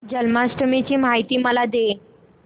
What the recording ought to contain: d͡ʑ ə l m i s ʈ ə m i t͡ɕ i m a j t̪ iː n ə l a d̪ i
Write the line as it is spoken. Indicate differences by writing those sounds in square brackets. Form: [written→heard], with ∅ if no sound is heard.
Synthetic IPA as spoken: d͡ʑ ə l m [i→a] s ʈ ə m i t͡ɕ [i→iː] m a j t̪ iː [n→m] ə l a d̪ [i→e]